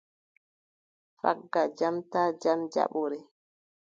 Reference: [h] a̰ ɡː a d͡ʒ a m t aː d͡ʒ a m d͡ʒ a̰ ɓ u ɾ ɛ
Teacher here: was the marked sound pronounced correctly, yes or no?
no